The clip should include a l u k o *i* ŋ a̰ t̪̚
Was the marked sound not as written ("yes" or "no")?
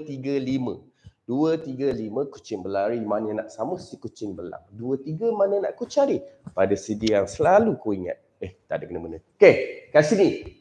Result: no